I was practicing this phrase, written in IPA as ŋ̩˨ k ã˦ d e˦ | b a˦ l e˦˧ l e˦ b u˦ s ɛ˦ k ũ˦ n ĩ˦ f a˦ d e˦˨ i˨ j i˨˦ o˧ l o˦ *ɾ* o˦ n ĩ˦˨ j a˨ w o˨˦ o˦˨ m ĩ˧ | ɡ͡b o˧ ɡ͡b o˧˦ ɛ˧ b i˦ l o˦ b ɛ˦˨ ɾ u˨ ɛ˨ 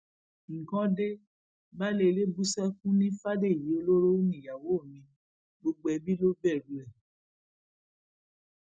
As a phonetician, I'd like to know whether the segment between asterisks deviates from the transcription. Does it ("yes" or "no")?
no